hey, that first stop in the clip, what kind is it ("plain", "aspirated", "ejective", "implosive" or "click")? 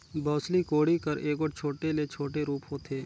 plain